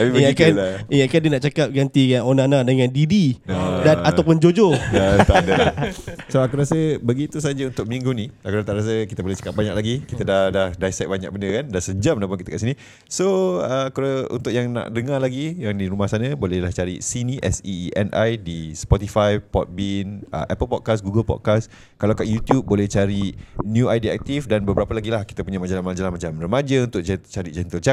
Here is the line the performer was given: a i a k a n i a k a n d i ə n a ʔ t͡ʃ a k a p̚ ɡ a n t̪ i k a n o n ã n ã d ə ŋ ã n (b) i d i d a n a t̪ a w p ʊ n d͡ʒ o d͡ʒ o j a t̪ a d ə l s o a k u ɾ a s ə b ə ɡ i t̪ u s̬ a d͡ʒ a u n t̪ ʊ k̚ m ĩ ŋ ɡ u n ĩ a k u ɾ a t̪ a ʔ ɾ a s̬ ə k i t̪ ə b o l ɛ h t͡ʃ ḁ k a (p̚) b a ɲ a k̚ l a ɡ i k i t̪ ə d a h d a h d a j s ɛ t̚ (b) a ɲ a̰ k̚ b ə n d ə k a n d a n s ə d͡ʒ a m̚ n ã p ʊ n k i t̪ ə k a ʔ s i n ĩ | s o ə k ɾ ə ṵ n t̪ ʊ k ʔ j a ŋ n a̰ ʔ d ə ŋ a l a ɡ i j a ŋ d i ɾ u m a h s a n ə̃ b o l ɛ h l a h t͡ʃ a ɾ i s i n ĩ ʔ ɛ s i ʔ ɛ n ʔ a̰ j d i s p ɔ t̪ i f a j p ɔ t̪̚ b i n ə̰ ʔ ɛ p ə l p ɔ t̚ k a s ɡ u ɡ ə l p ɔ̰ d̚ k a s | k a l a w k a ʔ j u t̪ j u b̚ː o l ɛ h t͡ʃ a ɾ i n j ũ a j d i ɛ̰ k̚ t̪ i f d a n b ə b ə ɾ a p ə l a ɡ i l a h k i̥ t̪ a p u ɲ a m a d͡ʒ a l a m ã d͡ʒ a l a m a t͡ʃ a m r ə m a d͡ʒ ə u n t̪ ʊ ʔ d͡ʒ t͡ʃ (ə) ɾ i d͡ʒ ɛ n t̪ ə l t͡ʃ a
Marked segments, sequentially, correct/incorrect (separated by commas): incorrect, correct, correct, incorrect